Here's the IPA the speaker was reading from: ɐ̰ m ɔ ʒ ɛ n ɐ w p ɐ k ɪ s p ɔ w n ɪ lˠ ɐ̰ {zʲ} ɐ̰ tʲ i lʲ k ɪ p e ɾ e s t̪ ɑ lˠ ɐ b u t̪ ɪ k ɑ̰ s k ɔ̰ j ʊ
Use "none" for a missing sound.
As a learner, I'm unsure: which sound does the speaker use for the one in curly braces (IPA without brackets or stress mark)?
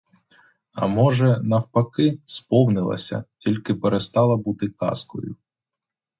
sʲ